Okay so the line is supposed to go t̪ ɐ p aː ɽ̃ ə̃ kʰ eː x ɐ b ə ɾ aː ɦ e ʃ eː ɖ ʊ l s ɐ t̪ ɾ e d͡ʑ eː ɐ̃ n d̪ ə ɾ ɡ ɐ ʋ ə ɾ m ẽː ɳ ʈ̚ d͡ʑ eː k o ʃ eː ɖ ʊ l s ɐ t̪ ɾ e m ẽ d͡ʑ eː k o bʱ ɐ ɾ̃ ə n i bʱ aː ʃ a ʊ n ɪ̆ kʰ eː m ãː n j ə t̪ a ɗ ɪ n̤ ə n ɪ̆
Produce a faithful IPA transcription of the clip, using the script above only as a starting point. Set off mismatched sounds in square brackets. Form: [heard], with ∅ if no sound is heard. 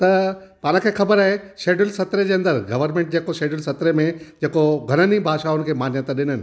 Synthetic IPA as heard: t̪ ɐ p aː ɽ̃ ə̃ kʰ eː x ɐ b ə ɾ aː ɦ e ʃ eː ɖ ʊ l s ɐ t̪ ɾ e d͡ʑ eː ɐ̃ n d̪ ə ɾ ɡ ɐ ʋ ə ɾ m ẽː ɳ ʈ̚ d͡ʑ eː k o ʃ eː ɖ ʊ l s ɐ t̪ ɾ e m ẽ d͡ʑ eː k o [ɡʱ] ɐ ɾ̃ ə n i bʱ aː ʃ a ʊ n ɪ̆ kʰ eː m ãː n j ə t̪ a ɗ ɪ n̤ ə n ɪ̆

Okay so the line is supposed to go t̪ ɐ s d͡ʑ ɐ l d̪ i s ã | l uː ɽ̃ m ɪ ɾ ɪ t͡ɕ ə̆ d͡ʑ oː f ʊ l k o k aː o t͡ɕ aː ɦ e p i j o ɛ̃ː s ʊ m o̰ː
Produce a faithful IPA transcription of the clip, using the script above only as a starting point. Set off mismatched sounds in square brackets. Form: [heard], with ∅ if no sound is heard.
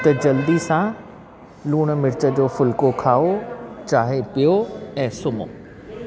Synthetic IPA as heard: t̪ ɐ [∅] d͡ʑ ɐ l d̪ i s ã | l uː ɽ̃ m ɪ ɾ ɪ t͡ɕ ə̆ d͡ʑ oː f ʊ l k o [kʰ] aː o t͡ɕ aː ɦ e p i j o ɛ̃ː s ʊ m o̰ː

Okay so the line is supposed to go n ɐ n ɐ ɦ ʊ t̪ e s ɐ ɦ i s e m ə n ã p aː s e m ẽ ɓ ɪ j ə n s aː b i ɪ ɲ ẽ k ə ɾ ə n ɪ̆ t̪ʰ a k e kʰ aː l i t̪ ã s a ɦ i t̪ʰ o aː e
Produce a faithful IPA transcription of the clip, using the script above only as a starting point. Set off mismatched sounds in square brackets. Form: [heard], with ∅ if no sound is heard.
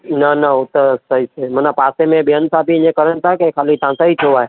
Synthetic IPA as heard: n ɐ n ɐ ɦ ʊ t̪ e s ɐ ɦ i s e m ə n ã p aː s e m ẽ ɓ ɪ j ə n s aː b i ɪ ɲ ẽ k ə ɾ ə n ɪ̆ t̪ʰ a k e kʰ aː l i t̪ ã s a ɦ i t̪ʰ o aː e

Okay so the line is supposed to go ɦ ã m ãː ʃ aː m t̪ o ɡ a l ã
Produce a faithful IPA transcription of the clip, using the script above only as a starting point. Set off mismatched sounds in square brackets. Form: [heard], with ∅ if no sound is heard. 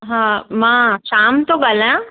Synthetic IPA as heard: ɦ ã m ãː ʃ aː m t̪ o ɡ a l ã

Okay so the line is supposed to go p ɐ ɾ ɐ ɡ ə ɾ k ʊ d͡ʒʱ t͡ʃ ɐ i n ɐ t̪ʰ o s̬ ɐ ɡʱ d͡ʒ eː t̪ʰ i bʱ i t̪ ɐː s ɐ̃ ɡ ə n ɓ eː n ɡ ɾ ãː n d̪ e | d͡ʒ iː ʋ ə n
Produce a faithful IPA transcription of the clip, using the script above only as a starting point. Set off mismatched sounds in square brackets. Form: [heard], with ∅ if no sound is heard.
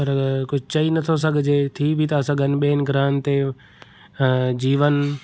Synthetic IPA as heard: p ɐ ɾ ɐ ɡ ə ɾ k ʊ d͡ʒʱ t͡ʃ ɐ i n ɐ t̪ʰ o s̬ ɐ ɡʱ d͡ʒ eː t̪ʰ i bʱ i t̪ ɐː s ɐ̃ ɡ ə n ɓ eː n ɡ ɾ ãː n [t̪] e | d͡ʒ iː ʋ ə n

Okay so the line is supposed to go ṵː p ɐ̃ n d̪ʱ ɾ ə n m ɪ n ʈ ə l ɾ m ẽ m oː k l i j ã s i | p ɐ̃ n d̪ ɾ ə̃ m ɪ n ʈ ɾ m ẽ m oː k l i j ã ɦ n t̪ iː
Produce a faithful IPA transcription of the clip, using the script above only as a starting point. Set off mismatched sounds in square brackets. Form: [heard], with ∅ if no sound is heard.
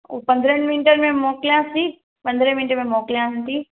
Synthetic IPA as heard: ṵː p ɐ̃ n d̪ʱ ɾ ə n m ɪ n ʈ ə [∅] ɾ m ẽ m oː k l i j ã s i | p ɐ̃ n d̪ ɾ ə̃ m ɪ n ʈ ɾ m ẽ m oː k l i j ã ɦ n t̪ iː

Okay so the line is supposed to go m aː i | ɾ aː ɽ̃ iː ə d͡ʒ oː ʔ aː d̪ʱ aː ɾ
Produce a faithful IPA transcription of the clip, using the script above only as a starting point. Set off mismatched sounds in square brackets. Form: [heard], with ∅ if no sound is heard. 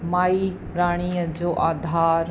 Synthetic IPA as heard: m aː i | ɾ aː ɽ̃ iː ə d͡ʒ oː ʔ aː d̪ʱ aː ɾ

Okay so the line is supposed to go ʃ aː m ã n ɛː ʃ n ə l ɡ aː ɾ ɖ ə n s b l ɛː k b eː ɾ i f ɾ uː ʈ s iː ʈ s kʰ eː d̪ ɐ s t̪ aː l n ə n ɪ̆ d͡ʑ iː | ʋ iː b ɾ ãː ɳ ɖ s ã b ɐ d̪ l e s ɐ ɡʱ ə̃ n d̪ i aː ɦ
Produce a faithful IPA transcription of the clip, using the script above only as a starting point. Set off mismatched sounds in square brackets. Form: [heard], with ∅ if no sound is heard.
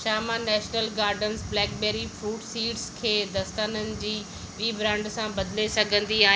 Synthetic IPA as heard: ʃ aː m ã n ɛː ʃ n ə l ɡ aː ɾ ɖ ə n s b l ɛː k b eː ɾ i f ɾ uː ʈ s iː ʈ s kʰ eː d̪ ɐ s t̪ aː [∅] n ə n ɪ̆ d͡ʑ iː | ʋ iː b ɾ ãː ɳ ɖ s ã b ɐ d̪ l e s ɐ ɡʱ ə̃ n d̪ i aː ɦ

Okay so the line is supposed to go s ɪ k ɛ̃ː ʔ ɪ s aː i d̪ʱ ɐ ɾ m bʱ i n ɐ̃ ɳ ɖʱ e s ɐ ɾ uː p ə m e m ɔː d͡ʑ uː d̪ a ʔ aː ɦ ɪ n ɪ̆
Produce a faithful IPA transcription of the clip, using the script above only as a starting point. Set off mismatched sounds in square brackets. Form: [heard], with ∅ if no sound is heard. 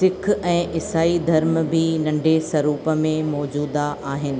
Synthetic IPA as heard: s ɪ [kʰ] ɛ̃ː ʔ ɪ s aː i d̪ʱ ɐ ɾ m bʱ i n ɐ̃ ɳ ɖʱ e s ɐ ɾ uː p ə m [ẽ] m ɔː d͡ʑ uː d̪ a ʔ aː ɦ ɪ n ɪ̆

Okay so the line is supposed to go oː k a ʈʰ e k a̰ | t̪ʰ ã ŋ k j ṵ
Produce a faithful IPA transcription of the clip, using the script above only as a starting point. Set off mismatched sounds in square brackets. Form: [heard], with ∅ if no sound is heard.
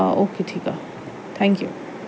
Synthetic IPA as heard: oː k [e] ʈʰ [i] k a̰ | t̪ʰ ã ŋ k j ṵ

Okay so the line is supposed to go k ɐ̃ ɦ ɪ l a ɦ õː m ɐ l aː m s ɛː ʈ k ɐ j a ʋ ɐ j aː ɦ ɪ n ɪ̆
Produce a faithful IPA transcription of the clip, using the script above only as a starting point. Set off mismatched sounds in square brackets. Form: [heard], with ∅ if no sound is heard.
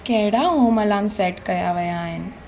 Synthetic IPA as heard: k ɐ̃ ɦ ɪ [ɽ] a ɦ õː m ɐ l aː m s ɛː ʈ k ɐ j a ʋ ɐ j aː ɦ ɪ n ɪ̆

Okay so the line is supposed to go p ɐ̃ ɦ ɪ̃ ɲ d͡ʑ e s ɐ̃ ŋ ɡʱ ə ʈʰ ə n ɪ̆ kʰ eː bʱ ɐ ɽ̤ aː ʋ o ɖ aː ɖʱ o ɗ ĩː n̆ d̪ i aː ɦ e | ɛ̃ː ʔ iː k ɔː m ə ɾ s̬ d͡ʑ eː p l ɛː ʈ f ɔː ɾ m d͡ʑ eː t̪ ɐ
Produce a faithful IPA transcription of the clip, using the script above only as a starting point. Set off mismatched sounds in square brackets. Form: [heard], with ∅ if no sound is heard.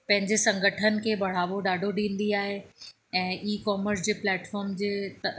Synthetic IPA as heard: p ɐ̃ ɦ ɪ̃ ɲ d͡ʑ e s ɐ̃ ŋ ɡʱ ə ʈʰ ə n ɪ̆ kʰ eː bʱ ɐ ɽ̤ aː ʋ o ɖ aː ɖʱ o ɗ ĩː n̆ d̪ i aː ɦ e | ɛ̃ː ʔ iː k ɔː m ə ɾ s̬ d͡ʑ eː p l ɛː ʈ f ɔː ɾ m d͡ʑ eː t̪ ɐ

